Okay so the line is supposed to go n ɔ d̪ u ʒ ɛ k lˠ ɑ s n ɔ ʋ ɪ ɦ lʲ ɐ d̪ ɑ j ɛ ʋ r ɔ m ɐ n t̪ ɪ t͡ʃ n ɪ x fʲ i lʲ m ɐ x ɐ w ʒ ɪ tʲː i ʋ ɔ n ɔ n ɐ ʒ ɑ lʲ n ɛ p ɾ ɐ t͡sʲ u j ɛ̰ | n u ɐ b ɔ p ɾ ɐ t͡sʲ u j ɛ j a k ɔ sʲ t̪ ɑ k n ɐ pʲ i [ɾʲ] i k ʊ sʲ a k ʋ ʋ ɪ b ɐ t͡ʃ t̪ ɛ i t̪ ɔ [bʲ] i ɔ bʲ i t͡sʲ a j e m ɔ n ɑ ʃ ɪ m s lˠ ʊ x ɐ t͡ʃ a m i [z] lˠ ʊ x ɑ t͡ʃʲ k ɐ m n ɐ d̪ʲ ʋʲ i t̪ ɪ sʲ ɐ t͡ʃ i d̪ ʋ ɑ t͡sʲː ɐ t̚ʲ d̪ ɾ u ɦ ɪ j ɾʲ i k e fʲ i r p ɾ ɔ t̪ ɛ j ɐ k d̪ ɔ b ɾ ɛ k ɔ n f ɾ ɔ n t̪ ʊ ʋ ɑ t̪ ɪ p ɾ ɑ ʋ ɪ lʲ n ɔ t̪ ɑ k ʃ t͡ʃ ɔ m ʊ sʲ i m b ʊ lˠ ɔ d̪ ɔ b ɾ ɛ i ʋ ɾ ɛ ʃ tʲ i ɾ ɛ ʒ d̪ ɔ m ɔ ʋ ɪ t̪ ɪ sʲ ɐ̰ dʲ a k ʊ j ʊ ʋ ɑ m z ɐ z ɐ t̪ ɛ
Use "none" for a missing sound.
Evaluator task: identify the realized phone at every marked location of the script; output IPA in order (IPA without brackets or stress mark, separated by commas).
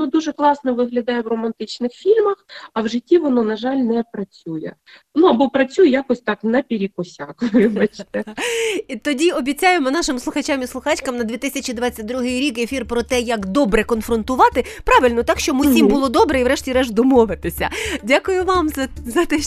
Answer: ɾʲ, dʲ, s